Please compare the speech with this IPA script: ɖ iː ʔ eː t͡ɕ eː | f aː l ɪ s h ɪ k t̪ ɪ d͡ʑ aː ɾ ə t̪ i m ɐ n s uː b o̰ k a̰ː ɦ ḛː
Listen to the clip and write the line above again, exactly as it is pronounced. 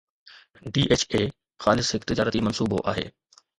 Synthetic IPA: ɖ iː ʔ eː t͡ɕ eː | x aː l ɪ s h ɪ k t̪ ɪ d͡ʑ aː ɾ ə t̪ i m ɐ n s uː b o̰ ʔ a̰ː ɦ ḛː